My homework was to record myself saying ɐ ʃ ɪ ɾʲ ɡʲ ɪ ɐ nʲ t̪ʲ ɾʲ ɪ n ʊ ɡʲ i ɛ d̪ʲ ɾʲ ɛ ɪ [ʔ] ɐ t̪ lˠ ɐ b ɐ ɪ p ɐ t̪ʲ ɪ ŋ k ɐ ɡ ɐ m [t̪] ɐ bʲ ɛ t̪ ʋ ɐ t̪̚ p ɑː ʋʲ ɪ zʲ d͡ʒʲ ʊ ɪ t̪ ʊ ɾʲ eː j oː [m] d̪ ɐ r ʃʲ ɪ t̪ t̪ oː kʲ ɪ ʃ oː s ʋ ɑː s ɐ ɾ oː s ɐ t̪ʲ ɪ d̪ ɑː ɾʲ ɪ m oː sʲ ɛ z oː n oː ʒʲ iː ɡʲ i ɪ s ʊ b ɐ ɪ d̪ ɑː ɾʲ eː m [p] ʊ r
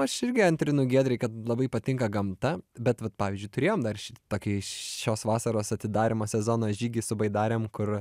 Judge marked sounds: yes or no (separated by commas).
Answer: no, yes, yes, no